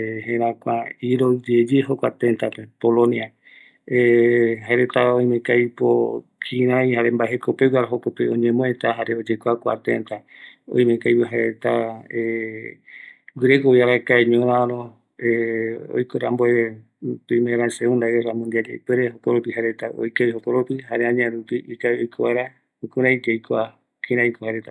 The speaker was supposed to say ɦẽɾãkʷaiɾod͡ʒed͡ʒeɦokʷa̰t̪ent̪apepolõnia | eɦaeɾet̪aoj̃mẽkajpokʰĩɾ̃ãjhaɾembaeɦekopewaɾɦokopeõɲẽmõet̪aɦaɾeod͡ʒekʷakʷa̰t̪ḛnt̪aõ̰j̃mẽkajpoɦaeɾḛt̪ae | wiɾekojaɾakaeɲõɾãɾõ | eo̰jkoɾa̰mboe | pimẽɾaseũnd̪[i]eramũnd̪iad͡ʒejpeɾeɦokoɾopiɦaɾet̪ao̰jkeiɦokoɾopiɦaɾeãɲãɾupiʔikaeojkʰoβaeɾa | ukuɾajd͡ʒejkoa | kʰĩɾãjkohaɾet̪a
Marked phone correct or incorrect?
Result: incorrect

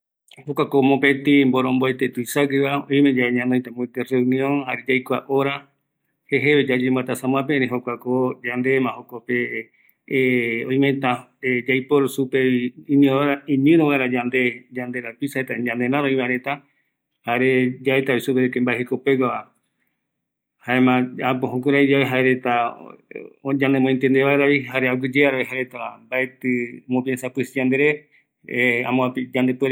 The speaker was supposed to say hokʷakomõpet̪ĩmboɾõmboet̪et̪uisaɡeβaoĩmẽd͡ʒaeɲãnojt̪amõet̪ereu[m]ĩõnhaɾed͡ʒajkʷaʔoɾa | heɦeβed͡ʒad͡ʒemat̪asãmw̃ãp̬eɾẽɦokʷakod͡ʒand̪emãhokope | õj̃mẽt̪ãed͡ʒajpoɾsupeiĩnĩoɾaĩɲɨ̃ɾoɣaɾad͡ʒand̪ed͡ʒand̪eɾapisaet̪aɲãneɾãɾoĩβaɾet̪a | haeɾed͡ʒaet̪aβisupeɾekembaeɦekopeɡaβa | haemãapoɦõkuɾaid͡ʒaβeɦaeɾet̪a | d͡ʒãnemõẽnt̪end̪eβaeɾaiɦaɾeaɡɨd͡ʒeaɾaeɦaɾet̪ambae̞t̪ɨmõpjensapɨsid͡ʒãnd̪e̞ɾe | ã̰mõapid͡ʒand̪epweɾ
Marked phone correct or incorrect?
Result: incorrect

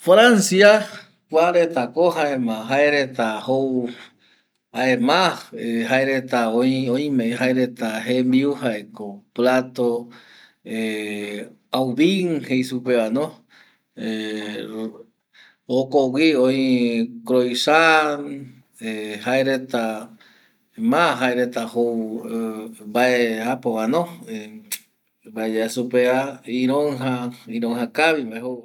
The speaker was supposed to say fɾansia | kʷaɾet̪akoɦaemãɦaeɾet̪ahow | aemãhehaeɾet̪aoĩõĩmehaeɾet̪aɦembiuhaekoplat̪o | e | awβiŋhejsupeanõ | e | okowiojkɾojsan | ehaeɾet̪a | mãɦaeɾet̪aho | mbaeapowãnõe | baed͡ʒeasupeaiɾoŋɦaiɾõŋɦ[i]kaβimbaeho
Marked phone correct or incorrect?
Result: incorrect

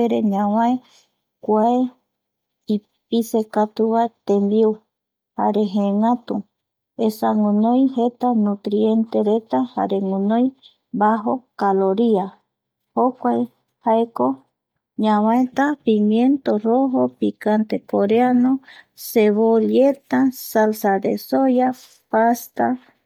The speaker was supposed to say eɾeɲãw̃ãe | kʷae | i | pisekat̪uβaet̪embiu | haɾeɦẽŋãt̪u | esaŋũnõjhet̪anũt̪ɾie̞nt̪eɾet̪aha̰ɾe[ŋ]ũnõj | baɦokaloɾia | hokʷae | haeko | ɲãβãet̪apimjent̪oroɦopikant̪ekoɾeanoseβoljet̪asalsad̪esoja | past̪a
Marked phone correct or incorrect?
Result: correct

